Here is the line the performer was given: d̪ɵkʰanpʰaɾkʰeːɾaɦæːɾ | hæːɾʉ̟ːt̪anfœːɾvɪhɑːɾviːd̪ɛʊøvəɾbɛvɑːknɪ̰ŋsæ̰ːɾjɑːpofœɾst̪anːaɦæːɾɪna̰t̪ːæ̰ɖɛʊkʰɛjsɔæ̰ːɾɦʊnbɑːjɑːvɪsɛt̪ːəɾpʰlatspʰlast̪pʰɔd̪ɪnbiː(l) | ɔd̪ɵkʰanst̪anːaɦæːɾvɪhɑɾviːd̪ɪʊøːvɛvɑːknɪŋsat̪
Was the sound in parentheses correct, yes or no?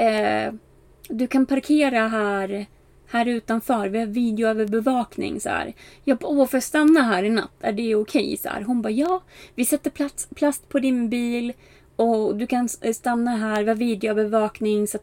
yes